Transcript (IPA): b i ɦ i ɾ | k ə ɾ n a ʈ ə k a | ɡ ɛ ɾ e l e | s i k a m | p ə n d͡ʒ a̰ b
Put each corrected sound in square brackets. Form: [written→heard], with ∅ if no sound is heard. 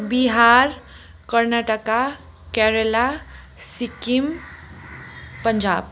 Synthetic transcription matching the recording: b i ɦ [i→a] ɾ | k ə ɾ n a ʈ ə k a | [ɡ→k] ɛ ɾ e l [e→a] | s i k [a→i] m | p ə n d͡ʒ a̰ b

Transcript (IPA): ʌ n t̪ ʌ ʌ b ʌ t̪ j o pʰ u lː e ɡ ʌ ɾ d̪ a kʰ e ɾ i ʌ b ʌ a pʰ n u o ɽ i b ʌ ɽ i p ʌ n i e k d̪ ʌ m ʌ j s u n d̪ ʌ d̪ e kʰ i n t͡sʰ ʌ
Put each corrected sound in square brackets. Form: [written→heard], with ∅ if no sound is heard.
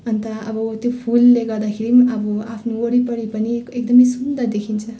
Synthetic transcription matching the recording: ʌ n t̪ ʌ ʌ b ʌ t̪ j o pʰ u lː e ɡ ʌ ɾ d̪ a kʰ e ɾ i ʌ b ʌ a pʰ n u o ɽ i [b→p] ʌ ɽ i p ʌ n i e k d̪ ʌ m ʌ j s u n d̪ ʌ d̪ e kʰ i n t͡sʰ ʌ

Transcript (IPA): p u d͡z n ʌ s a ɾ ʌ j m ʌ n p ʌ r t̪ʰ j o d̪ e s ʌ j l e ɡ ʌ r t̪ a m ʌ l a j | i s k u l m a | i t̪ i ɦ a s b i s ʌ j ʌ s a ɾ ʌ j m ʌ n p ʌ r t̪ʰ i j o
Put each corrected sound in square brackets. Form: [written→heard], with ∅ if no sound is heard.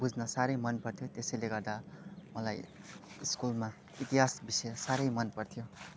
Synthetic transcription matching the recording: [p→b] u d͡z n ʌ s a ɾ ʌ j m ʌ n p ʌ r t̪ʰ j o [d̪→t̪] e s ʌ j l e ɡ ʌ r [t̪→d̪] a m ʌ l a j | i s k u l m a | i t̪ i ɦ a s b i s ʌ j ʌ s a ɾ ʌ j m ʌ n p ʌ r t̪ʰ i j o

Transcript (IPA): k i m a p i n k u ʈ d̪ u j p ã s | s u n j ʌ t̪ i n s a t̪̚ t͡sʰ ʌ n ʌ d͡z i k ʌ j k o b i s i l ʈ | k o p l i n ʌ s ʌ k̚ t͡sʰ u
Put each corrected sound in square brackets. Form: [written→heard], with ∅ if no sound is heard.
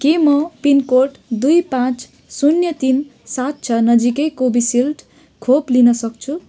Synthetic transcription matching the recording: k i m [a→ʌ] p i n k [u→o] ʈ d̪ u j p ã [s→t͡s] | s u n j ʌ t̪ i n s a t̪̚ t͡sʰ ʌ n ʌ d͡z i k ʌ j k o b i s i l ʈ | [k→kʰ] o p l i n ʌ s ʌ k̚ t͡sʰ u

